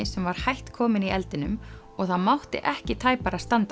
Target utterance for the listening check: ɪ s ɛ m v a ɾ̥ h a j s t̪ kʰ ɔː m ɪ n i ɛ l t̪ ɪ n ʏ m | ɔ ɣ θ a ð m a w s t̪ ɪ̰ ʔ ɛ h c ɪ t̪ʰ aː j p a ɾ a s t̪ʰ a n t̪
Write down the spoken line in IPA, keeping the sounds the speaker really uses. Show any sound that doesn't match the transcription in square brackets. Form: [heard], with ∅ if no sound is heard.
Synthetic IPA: ɪ s ɛ m v a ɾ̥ h a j [h] t̪ kʰ ɔː m ɪ n i ɛ l t̪ ɪ n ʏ m | ɔ ɣ θ a ð m a w [h] t̪ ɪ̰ ʔ ɛ h c ɪ t̪ʰ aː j p a ɾ a s [t̪] a n t̪